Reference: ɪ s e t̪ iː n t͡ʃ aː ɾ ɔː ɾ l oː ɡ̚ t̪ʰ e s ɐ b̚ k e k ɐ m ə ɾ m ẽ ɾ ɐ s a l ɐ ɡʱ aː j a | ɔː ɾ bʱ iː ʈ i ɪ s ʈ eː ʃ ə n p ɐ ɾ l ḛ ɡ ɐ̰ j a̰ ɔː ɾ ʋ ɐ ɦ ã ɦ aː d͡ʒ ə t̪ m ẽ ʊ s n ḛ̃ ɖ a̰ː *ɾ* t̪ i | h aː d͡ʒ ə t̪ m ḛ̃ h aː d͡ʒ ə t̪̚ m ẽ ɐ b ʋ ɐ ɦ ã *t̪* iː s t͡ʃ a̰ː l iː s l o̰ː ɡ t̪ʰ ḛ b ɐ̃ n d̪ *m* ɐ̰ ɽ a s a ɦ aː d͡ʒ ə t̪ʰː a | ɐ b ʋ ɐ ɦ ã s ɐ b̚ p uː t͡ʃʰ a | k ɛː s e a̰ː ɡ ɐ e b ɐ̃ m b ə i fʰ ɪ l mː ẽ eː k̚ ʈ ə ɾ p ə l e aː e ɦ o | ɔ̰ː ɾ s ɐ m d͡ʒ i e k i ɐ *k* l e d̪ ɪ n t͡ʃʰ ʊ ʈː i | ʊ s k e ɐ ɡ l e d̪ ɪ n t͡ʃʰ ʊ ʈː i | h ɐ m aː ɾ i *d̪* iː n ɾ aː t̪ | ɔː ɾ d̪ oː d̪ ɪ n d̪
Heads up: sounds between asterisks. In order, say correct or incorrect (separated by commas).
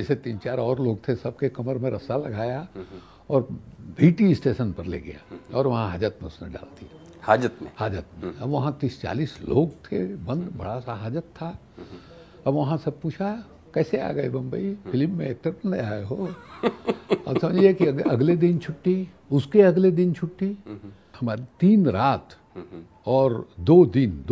incorrect, correct, incorrect, incorrect, incorrect